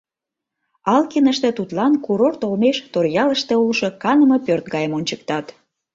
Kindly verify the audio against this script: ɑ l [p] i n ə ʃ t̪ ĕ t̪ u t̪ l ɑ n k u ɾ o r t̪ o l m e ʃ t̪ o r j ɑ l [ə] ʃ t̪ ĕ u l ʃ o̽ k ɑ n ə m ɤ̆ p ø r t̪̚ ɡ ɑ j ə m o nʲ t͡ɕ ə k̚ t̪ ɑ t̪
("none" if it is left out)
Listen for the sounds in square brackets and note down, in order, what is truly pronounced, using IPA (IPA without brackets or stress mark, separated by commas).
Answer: k, ə